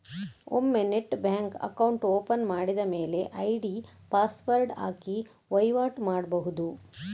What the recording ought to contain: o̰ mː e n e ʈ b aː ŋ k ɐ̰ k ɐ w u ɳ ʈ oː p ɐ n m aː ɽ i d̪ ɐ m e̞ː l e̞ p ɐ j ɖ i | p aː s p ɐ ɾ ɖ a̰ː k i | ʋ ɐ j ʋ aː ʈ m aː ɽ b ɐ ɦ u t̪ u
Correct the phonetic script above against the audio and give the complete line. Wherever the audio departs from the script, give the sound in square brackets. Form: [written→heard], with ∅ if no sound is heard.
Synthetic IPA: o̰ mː e n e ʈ b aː ŋ k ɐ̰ k ɐ w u ɳ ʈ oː p ɐ n m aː ɽ i d̪ ɐ m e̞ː l e̞ [p→ʔ] ɐ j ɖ i | p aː s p ɐ ɾ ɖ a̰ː k i | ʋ ɐ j ʋ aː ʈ m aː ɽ b ɐ ɦ u [t̪→d̪] u

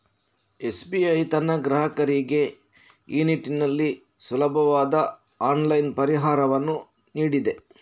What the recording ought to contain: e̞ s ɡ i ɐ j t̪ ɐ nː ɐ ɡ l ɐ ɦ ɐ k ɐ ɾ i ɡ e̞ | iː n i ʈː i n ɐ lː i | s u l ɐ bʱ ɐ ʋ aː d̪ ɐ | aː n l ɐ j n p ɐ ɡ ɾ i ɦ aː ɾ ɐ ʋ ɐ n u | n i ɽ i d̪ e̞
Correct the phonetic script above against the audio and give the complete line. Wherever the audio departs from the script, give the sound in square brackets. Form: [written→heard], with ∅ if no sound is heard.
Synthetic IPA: e̞ s [ɡ→b] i ɐ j t̪ ɐ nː ɐ ɡ [l→ɾ] ɐ ɦ ɐ k ɐ ɾ i ɡ e̞ | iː n i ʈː i n ɐ lː i | s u l ɐ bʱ ɐ ʋ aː d̪ ɐ | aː n l ɐ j n p ɐ [ɡ→∅] ɾ i ɦ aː ɾ ɐ ʋ ɐ [n→nː] u | n [i→iː] ɽ i d̪ e̞

